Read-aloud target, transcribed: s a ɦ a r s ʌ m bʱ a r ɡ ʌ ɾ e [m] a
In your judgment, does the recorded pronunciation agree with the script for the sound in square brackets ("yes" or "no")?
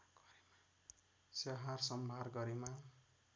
yes